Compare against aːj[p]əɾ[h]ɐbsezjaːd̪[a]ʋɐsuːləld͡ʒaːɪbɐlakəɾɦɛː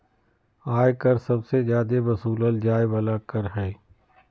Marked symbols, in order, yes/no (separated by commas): no, no, no